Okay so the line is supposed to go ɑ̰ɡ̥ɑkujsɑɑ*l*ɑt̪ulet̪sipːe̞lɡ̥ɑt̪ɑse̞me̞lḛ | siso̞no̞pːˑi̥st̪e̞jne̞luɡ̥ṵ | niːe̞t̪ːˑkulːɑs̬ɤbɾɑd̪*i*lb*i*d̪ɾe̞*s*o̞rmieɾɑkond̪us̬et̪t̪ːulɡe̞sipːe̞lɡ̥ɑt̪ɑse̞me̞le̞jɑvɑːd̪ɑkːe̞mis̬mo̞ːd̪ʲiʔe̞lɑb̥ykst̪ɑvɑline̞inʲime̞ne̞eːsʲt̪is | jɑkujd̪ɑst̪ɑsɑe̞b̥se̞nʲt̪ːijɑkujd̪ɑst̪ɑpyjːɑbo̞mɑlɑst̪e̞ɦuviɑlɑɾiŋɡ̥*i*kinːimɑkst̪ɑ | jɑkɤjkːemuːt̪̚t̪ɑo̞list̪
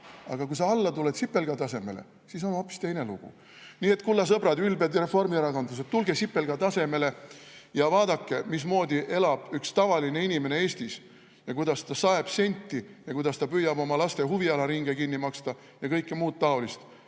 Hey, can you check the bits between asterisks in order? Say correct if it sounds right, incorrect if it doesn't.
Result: incorrect, incorrect, incorrect, incorrect, incorrect

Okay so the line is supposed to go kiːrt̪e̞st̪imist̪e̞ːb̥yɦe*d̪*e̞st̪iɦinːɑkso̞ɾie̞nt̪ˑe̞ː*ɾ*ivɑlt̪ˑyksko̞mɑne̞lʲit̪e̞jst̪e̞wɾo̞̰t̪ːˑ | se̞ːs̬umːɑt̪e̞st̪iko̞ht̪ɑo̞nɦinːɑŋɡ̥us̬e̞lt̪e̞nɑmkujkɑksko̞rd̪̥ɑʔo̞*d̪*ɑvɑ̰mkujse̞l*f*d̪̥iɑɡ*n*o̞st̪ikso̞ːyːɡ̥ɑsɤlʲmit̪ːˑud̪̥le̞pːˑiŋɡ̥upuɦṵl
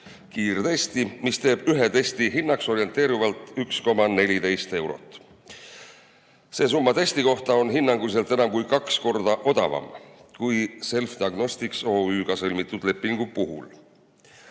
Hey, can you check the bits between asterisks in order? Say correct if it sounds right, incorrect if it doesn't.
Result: incorrect, correct, correct, correct, correct

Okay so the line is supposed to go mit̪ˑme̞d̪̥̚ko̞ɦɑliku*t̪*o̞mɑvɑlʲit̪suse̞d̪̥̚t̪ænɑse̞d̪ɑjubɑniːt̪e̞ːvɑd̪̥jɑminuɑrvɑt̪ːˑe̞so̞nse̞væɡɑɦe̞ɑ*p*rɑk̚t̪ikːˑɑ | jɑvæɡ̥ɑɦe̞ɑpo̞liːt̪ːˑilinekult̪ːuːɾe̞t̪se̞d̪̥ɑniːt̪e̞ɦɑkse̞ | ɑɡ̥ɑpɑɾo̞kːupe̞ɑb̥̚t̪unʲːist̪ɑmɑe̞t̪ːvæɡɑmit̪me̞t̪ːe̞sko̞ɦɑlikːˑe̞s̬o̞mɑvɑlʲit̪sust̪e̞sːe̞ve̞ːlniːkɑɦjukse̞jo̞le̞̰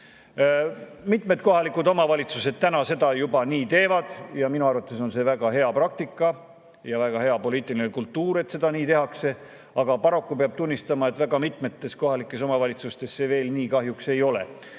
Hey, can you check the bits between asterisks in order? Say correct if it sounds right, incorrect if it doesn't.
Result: incorrect, correct

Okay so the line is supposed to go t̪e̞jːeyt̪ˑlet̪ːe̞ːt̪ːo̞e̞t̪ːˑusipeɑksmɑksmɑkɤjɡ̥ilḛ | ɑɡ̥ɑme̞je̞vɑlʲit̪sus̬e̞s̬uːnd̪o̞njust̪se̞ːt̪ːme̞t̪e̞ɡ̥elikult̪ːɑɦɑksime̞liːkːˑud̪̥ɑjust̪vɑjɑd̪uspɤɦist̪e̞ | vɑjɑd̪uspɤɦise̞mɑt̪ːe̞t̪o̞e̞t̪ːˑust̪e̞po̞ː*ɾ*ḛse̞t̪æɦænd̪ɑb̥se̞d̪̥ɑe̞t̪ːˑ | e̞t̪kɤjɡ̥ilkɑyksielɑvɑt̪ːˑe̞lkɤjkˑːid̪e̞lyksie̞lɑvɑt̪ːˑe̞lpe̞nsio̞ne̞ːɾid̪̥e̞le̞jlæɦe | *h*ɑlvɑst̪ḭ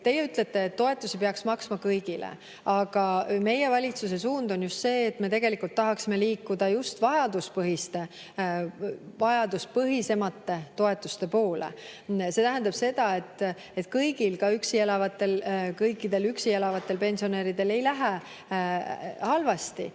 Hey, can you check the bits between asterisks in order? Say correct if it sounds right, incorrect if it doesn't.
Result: incorrect, correct

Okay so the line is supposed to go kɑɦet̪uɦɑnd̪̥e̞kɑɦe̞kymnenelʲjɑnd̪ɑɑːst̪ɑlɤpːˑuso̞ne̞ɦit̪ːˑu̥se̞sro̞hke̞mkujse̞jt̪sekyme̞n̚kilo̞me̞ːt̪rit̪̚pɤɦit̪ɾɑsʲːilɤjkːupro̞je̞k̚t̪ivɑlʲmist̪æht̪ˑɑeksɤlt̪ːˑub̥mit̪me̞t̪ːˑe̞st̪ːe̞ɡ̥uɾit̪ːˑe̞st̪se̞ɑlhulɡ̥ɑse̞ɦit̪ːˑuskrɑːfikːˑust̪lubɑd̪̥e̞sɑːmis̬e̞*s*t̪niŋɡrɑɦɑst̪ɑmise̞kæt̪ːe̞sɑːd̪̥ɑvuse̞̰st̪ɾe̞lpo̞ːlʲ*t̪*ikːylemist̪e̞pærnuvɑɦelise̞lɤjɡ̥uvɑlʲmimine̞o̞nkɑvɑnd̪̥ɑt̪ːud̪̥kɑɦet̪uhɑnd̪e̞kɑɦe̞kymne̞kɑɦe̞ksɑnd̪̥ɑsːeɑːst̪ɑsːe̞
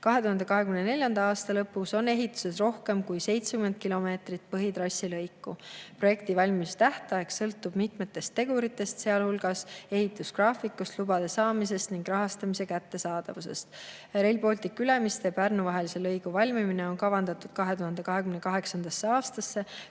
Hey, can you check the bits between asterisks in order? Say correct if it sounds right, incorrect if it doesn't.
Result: correct, correct

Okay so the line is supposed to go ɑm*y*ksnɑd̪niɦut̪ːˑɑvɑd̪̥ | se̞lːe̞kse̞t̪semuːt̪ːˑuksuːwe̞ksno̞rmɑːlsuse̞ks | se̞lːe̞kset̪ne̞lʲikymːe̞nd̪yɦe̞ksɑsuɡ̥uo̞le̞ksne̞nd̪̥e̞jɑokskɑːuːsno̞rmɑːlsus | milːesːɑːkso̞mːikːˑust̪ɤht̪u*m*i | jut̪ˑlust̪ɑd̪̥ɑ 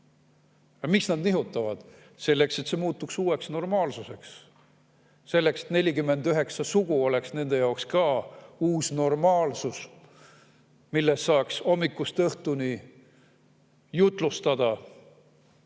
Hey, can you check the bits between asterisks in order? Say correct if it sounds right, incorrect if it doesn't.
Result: incorrect, incorrect

